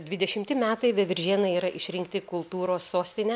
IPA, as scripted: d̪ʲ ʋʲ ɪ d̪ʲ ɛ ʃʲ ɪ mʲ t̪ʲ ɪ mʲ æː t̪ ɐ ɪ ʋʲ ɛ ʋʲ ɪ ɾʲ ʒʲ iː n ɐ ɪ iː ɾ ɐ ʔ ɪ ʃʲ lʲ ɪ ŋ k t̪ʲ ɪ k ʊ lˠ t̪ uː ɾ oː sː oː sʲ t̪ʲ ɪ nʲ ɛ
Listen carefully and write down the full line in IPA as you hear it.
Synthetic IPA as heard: d̪ʲ ʋʲ ɪ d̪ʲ ɛ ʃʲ ɪ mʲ t̪ʲ ɪ mʲ æː t̪ ɐ ɪ ʋʲ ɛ ʋʲ ɪ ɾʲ ʒʲ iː n ɐ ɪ iː ɾ ɐ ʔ ɪ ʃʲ ɾʲ ɪ ŋ k t̪ʲ ɪ k ʊ lˠ t̪ uː ɾ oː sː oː sʲ t̪ʲ ɪ nʲ ɛ